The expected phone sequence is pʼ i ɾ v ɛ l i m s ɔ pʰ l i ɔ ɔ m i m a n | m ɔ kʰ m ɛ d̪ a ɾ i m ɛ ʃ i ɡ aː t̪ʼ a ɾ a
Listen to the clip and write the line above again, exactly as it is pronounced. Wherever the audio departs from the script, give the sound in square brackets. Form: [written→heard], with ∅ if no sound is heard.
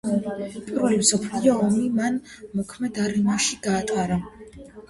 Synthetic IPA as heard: pʼ i ɾ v ɛ l i m s ɔ pʰ l i ɔ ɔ m i m a n | m ɔ kʰ m ɛ d̪ a ɾ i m [ɛ→a] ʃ i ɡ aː t̪ʼ a ɾ a

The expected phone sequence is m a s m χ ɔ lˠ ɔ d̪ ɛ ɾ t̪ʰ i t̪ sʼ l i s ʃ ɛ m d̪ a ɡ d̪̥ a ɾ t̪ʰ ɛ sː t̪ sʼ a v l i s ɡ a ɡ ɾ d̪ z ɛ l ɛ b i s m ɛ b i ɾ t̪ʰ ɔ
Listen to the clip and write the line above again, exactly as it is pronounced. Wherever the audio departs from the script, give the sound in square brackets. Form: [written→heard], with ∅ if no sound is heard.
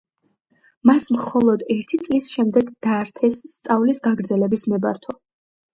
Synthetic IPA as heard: m a s m χ ɔ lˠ ɔ d̪ ɛ ɾ t̪ʰ i t̪ sʼ l i s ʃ ɛ m d̪ [a→ɛ] ɡ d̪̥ a ɾ t̪ʰ ɛ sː t̪ sʼ a v l i s ɡ a ɡ ɾ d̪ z ɛ l ɛ b i s m ɛ b [i→a] ɾ t̪ʰ ɔ

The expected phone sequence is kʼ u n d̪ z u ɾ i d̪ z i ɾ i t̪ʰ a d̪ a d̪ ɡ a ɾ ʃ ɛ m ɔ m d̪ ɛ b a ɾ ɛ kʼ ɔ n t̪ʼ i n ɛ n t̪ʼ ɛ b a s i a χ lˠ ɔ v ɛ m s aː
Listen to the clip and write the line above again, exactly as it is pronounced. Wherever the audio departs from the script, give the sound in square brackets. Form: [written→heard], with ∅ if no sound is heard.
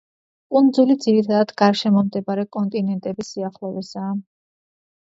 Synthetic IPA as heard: kʼ u n d̪ z u [ɾ→l] i d̪ z i ɾ i t̪ʰ a d̪ a d̪ ɡ a ɾ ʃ ɛ m ɔ m d̪ ɛ b a ɾ ɛ kʼ ɔ n t̪ʼ i n ɛ n t̪ʼ ɛ b [a→i] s i a χ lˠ ɔ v ɛ [m→∅] s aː

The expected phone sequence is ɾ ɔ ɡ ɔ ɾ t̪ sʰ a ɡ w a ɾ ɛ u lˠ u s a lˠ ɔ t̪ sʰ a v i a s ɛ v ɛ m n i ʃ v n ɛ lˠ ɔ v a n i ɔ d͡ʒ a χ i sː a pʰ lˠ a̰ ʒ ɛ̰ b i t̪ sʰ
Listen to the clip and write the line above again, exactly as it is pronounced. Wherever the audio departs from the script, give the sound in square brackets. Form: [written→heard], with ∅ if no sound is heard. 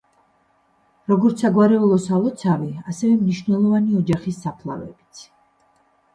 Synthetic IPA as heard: ɾ ɔ ɡ ɔ ɾ t̪ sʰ a ɡ w a ɾ ɛ u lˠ [u→ɔ] s a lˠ ɔ t̪ sʰ a v i a s ɛ v ɛ m n i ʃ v n ɛ lˠ ɔ v a n i ɔ d͡ʒ a χ i sː a pʰ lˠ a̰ [ʒ→v] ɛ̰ b i t̪ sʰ

